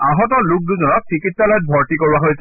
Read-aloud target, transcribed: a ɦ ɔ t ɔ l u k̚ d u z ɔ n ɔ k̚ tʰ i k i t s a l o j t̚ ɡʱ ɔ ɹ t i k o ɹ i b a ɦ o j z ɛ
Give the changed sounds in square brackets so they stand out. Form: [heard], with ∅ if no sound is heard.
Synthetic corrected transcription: a ɦ ɔ t ɔ l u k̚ d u z ɔ n ɔ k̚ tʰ i k i t s a l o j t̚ [bʱ] ɔ ɹ t i k o ɹ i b a ɦ o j [s] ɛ

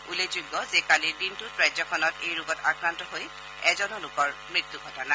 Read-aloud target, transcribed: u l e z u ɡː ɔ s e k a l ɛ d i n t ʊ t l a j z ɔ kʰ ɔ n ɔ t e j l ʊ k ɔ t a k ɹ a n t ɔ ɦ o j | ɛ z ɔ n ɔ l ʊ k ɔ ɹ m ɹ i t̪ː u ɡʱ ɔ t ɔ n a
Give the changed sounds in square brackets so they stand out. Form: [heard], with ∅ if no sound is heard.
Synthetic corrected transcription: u l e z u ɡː ɔ [z] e k a l [i] d i n t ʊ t [ɹ] a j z ɔ kʰ ɔ n ɔ t e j [ɹ] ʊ [ɡ] ɔ t a k ɹ a n t ɔ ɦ o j | ɛ z ɔ n ɔ l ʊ k ɔ ɹ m ɹ i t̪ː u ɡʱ ɔ t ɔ n a

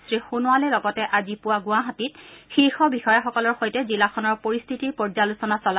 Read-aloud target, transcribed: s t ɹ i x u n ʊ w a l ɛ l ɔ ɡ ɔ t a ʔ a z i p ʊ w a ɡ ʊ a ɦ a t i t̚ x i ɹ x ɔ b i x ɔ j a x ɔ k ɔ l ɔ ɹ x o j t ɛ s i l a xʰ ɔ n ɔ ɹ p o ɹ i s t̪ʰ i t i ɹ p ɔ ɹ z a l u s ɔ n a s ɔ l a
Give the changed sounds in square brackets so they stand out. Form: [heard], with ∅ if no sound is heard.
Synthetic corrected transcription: s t ɹ i x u n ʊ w a l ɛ l ɔ ɡ ɔ t [ɛ] ʔ a z i p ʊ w a ɡ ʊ a ɦ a t i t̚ x i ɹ x ɔ b i x ɔ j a x ɔ k ɔ l ɔ ɹ x o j t ɛ [z] i l a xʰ ɔ n ɔ ɹ p o ɹ i s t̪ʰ i t i ɹ p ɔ ɹ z a l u s ɔ n a s ɔ l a

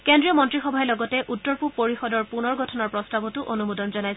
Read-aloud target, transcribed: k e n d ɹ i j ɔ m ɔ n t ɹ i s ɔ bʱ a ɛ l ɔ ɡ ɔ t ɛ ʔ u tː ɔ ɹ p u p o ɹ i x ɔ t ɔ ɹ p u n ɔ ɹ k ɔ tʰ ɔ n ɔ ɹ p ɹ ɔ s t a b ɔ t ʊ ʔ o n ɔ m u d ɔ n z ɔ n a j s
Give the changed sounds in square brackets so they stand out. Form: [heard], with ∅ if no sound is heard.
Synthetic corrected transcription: k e n d ɹ i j ɔ m ɔ n t ɹ i [x] ɔ bʱ a ɛ l ɔ ɡ ɔ t ɛ ʔ u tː ɔ ɹ p u p o ɹ i x ɔ [d] ɔ ɹ p u n ɔ ɹ [ɡ] ɔ tʰ ɔ n ɔ ɹ p ɹ ɔ s t a b ɔ t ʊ ʔ o n [u] m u d ɔ n z ɔ n a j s

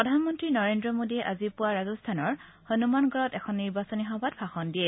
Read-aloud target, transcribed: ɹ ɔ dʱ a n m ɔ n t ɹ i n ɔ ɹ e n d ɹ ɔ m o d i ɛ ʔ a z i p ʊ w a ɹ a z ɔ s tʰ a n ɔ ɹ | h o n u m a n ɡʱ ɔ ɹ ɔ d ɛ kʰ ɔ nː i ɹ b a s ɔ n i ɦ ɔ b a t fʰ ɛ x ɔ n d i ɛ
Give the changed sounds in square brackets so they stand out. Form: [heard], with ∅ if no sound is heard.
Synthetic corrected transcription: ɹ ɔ dʱ a n m ɔ n t ɹ i n ɔ ɹ e n d ɹ ɔ m o d i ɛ ʔ a z i p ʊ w a ɹ a z ɔ s tʰ a n ɔ ɹ | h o n u m a n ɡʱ ɔ ɹ ɔ [t] ɛ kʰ ɔ nː i ɹ b a s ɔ n i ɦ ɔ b a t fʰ [a] x ɔ n d i ɛ

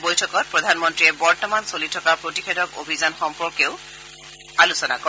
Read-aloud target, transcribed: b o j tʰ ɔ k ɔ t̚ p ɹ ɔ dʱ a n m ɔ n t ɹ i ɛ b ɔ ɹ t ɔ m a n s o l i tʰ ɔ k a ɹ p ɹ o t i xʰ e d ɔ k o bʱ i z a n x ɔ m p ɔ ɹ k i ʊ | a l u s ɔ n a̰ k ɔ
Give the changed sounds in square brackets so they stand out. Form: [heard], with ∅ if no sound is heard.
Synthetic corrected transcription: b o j tʰ ɔ k ɔ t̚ p ɹ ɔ dʱ a n m ɔ n t ɹ i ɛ b ɔ ɹ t ɔ m a n s o l i tʰ ɔ k a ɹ p ɹ o t i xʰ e d ɔ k o bʱ i z a n x ɔ m p ɔ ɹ k [e] ʊ | a l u s ɔ n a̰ k ɔ

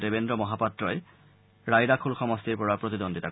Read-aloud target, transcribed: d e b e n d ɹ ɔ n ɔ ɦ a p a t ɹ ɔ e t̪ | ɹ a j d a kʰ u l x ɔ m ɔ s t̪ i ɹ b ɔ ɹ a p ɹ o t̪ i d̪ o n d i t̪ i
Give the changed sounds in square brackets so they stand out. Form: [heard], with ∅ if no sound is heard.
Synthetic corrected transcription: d e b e n d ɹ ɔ [m] ɔ ɦ a p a t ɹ ɔ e [∅] | ɹ a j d a kʰ u l x ɔ m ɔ s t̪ i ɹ [p] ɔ ɹ a p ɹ o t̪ i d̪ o n d i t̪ [a]

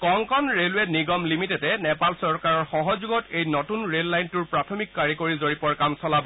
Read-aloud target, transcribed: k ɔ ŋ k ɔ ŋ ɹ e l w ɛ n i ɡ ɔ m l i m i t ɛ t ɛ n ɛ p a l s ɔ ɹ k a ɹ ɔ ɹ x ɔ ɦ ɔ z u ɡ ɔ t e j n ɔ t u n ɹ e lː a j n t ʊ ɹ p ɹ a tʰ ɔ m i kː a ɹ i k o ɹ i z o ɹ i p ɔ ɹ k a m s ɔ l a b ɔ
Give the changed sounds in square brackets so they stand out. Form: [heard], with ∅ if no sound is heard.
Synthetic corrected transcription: k ɔ ŋ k ɔ [n] ɹ e l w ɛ n i ɡ ɔ m l i m i t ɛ t ɛ n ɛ p a l s ɔ ɹ k a ɹ ɔ ɹ x ɔ ɦ ɔ z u ɡ ɔ t e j n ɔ t u n ɹ e lː a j n t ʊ ɹ p ɹ a tʰ ɔ m i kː a ɹ i k o ɹ i z o ɹ i p ɔ ɹ k a m s ɔ l a b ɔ

